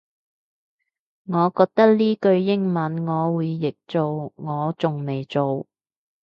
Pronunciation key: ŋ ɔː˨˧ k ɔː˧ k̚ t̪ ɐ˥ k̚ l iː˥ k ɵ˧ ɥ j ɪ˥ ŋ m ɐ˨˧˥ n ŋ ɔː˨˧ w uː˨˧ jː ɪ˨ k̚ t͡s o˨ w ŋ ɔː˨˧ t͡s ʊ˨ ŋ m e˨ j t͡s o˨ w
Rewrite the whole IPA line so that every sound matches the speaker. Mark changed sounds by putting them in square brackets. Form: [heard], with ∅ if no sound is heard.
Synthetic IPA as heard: ŋ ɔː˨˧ k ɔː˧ k̚ t̪ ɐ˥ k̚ l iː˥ k ɵ˧ ɥ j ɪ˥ ŋ m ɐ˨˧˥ n ŋ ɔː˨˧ w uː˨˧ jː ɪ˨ k̚ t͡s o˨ w ŋ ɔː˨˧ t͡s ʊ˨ ŋ m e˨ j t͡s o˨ w